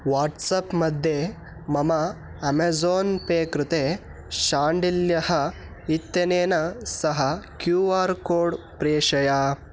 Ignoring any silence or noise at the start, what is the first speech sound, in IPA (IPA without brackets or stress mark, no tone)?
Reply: ʋ